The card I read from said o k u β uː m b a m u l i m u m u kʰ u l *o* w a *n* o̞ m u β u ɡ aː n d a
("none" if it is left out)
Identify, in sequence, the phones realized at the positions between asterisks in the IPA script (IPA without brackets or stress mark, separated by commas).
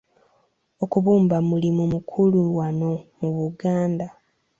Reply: u, n